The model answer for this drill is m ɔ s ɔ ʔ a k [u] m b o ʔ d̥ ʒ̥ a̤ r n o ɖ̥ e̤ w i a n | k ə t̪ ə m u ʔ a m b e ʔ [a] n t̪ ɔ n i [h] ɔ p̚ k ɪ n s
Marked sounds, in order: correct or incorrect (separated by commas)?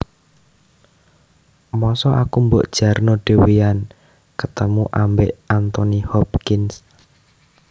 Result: correct, correct, correct